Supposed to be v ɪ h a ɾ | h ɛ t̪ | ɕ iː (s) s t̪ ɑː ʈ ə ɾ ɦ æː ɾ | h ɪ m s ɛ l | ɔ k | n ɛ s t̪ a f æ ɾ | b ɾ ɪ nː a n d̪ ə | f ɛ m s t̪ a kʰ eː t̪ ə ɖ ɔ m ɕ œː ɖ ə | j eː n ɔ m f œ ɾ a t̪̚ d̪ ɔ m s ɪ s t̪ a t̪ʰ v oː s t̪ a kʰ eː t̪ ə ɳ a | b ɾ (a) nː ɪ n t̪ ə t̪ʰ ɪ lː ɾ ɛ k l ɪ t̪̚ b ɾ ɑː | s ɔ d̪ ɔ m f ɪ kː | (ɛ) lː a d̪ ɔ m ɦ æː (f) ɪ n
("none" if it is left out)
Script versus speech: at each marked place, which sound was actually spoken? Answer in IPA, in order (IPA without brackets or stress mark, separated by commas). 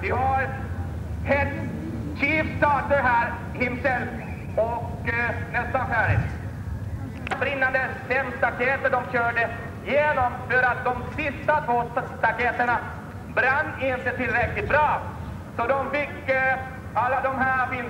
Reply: f, a, a, f